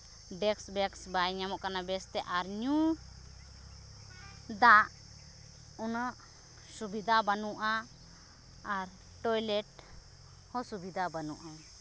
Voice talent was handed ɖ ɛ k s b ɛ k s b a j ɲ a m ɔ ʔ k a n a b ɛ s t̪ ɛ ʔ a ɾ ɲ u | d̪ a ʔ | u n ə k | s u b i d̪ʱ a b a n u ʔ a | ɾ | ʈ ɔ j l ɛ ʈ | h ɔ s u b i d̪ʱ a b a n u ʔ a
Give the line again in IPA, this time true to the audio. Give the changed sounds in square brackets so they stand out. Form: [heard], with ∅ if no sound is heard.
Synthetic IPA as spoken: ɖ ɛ k s b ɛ k s b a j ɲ a m ɔ ʔ k a n a b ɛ s t̪ ɛ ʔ a ɾ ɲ u | d̪ a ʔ | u n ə [ʔ] | s u b i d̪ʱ a b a n u ʔ a | ɾ | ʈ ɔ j l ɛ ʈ | h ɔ s u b i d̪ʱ a b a n u ʔ a